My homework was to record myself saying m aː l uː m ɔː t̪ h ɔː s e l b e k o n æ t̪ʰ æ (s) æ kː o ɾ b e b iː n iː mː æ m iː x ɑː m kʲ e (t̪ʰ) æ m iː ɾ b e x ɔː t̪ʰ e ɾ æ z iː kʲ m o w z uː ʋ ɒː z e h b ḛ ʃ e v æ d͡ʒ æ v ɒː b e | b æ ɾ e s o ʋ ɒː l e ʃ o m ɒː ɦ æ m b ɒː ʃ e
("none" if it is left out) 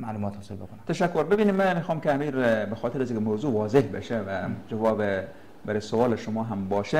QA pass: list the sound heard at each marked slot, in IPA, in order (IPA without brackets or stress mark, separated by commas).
ʃ, none